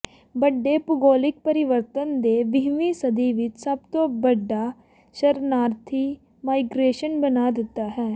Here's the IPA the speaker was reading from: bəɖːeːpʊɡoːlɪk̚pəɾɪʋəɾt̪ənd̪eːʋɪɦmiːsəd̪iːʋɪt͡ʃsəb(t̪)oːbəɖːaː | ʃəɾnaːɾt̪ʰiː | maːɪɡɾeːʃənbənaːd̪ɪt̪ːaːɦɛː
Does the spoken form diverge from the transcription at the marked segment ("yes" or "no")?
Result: no